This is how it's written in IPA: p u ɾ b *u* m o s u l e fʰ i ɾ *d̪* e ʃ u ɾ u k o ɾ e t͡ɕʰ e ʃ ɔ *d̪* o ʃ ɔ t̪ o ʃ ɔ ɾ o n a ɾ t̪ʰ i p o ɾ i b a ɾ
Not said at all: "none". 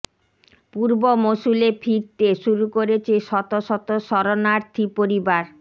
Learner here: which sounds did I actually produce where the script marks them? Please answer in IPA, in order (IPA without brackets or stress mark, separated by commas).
o, t̪, t̪